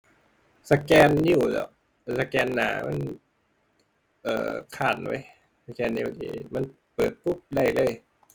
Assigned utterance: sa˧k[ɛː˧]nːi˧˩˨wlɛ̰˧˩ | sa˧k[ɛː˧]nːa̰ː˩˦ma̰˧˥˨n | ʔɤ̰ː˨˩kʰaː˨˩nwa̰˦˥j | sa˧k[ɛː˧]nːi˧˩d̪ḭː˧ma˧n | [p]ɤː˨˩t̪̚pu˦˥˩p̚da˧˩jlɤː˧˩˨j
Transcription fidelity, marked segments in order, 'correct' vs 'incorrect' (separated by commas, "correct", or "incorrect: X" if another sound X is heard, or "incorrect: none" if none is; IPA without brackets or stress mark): correct, correct, correct, correct